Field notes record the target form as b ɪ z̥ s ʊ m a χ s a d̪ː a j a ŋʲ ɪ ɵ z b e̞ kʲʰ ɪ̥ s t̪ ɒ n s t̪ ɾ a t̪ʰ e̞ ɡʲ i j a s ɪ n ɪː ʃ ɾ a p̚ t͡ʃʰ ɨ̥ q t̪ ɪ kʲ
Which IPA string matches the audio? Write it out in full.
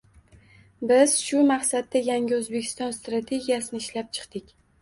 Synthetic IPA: b ɪ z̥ ʃ ʊ m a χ s a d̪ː a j a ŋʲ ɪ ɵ z b e̞ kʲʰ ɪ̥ s t̪ ɒ n s t̪ ɾ a t̪ʰ e̞ ɡʲ i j a s ɪ n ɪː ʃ l a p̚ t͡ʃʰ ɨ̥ q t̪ ɪ kʲ